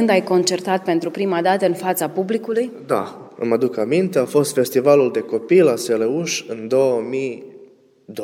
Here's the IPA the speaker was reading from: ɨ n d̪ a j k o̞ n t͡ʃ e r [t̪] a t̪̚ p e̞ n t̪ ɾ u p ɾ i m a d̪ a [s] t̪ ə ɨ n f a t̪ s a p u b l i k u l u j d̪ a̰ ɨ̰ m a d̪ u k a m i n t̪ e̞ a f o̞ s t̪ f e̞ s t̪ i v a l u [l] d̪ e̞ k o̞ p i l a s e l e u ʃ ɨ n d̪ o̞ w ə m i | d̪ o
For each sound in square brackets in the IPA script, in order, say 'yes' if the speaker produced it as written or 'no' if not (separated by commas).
yes, no, yes